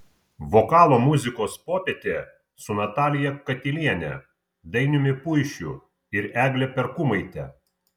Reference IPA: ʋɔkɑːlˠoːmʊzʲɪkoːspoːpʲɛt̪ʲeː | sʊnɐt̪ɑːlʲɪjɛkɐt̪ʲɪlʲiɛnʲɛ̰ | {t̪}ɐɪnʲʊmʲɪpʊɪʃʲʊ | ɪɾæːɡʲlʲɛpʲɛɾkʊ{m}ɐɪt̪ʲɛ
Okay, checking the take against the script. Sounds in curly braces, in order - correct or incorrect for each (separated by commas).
incorrect, correct